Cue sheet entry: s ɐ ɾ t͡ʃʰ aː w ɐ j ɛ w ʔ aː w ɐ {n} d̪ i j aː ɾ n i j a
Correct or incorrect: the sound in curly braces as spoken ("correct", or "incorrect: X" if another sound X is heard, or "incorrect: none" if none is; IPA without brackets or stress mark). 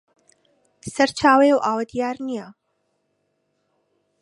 incorrect: none